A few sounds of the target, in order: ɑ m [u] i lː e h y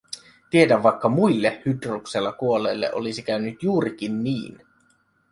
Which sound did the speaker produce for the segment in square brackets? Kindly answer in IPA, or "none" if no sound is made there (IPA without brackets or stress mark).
u